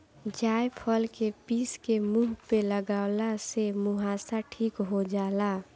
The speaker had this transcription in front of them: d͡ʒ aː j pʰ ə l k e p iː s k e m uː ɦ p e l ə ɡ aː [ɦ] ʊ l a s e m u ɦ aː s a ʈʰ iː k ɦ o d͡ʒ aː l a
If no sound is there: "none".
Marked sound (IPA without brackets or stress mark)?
none